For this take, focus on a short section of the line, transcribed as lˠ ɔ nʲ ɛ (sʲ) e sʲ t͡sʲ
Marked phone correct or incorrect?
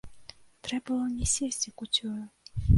correct